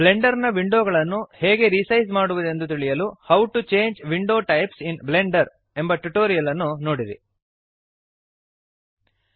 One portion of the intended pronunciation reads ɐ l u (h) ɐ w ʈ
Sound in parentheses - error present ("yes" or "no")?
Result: no